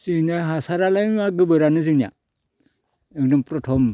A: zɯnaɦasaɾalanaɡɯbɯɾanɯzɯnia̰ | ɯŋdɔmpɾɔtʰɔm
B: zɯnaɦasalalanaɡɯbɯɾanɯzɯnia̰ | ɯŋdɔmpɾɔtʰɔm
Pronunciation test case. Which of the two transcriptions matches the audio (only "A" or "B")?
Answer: A